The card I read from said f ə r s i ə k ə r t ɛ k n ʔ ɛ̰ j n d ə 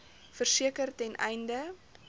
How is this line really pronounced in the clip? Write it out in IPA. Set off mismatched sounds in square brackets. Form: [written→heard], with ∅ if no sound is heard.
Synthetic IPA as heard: f ə r s i ə k ə r t ɛ [k→∅] n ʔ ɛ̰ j n d ə